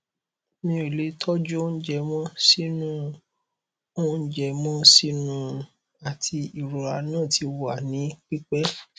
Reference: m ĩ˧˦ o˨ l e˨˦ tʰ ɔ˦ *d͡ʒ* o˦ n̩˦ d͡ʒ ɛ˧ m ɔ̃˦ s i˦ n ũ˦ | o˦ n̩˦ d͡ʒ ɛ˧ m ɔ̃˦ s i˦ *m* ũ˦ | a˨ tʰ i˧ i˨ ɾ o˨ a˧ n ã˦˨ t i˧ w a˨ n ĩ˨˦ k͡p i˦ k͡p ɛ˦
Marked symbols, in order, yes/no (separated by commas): yes, no